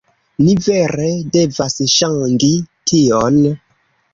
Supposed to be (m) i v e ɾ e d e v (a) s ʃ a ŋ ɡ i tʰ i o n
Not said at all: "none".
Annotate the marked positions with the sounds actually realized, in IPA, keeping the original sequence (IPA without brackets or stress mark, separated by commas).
n, a